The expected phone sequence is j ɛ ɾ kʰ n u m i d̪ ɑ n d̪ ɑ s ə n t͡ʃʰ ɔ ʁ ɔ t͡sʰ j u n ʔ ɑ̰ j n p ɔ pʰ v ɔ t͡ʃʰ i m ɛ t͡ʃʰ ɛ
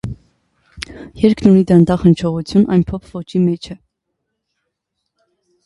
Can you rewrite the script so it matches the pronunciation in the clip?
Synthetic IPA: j ɛ ɾ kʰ n u n i d̪ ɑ n d̪ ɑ χ ə n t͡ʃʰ ɔ ʁ u t͡sʰ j u n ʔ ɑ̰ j n pʰ ɔ pʰ v ɔ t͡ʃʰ i m ɛ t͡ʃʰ ɛ